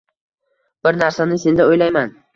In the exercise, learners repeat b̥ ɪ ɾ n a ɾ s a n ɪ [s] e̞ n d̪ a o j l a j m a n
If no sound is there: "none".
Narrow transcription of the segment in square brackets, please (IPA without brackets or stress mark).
s